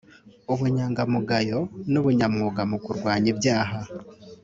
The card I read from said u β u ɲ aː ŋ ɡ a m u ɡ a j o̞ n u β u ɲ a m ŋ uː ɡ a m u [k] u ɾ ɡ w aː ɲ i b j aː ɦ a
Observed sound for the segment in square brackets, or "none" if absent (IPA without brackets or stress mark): k